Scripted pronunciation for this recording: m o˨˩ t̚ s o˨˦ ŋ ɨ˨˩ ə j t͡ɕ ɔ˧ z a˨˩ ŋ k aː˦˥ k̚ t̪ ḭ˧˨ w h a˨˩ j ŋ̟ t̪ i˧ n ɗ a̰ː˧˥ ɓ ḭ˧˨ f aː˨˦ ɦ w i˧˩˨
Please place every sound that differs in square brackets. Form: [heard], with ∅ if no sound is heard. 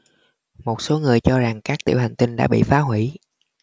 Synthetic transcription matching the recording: m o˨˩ t̚ s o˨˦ ŋ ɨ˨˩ ə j t͡ɕ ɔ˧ z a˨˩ ŋ k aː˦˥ k̚ t̪ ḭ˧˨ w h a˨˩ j ŋ̟ t̪ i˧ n ɗ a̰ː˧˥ ɓ ḭ˧˨ f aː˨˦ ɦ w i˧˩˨